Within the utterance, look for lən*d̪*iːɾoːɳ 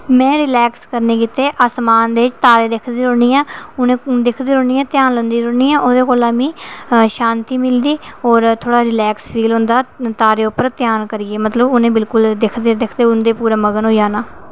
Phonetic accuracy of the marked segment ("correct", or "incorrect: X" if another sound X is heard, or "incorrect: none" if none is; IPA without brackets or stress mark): correct